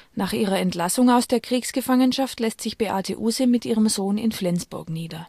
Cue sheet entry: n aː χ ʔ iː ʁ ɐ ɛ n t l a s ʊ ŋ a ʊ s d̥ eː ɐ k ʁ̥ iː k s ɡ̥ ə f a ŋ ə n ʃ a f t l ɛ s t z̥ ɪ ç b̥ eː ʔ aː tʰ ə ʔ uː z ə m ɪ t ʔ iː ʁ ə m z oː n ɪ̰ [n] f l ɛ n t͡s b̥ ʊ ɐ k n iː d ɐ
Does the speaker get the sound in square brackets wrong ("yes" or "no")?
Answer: no